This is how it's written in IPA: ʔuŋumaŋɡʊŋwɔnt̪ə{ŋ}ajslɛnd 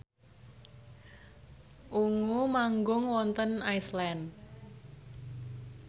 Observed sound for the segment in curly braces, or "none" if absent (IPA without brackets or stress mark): n